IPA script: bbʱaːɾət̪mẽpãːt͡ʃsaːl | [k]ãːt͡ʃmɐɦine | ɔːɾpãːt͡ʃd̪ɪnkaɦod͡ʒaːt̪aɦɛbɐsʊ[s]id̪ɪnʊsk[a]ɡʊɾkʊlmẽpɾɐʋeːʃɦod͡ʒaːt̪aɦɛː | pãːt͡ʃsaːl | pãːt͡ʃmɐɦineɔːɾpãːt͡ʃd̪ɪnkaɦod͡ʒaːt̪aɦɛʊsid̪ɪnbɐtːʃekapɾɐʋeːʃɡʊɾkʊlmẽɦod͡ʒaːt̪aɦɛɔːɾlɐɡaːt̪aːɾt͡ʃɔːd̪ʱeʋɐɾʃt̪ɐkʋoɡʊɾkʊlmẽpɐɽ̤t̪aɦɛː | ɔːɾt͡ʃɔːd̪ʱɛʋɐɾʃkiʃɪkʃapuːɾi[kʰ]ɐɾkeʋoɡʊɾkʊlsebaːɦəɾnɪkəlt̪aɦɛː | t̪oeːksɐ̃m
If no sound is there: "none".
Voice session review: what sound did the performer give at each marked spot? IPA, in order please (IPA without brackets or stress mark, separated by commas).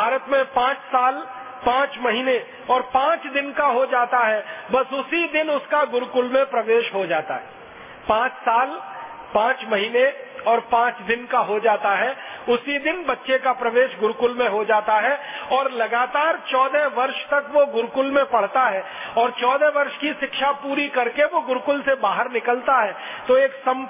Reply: p, s, a, k